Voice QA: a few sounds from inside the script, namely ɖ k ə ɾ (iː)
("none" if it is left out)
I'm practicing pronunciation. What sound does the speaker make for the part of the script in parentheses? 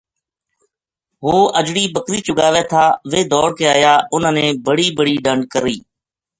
iː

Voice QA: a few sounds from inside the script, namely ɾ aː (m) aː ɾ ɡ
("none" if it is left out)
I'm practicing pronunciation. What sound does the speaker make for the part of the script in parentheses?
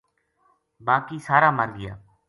m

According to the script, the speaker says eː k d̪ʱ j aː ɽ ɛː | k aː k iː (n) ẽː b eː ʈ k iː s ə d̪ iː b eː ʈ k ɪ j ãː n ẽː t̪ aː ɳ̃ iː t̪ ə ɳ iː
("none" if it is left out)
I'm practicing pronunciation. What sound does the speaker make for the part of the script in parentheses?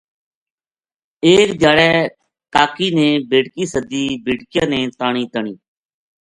n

